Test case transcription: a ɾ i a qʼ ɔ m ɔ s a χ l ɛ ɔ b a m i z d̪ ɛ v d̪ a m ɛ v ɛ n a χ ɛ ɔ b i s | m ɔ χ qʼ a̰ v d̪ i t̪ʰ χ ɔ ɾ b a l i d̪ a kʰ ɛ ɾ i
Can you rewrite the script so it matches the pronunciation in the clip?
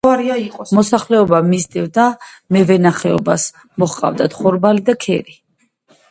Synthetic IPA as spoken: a ɾ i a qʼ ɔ m ɔ s a χ l ɛ ɔ b a m i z d̪ ɛ v d̪ a m ɛ v ɛ n a χ ɛ ɔ b a s | m ɔ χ qʼ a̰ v d̪ a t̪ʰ χ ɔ ɾ b a l i d̪ a kʰ ɛ ɾ i